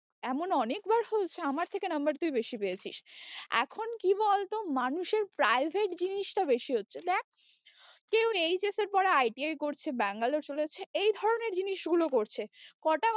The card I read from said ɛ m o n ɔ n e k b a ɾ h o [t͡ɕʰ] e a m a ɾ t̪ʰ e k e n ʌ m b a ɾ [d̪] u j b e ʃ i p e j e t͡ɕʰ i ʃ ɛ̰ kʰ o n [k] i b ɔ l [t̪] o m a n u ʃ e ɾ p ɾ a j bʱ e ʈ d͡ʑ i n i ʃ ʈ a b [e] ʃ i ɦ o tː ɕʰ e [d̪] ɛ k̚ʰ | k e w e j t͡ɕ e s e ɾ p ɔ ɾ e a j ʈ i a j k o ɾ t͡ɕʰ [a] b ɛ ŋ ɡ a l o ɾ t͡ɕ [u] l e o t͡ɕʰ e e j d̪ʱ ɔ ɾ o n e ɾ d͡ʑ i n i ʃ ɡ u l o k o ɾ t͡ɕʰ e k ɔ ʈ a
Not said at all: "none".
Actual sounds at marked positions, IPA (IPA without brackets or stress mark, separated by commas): t͡ɕʰ, t̪, k, t̪, e, d̪, e, o